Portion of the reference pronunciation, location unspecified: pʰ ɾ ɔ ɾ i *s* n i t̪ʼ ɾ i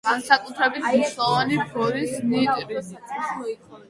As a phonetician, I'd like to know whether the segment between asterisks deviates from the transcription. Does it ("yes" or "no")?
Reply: no